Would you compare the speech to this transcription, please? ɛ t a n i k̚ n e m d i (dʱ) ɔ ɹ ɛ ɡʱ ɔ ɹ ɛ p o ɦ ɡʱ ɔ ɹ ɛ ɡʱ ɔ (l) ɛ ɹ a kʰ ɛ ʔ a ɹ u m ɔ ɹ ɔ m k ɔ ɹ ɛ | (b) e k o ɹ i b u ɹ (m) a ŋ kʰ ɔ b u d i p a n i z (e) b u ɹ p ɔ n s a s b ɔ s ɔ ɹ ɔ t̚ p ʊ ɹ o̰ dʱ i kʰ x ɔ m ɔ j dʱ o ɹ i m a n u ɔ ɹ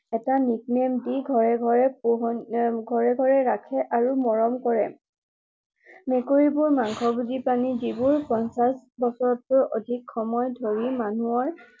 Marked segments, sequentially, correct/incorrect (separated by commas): incorrect, incorrect, incorrect, correct, incorrect